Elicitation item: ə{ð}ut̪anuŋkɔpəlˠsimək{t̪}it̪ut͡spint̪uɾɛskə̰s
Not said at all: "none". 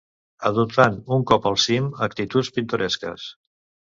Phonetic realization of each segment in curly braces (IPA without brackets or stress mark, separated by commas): ð, t̪